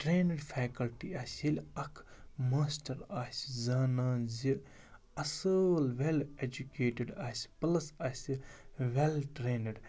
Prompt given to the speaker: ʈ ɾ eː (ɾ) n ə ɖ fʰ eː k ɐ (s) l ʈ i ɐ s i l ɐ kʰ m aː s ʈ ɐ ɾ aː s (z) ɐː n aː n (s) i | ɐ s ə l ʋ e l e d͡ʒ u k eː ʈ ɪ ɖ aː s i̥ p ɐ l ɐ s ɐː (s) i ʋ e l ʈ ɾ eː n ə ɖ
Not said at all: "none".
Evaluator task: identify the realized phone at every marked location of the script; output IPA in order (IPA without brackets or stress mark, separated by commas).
none, none, z, z, s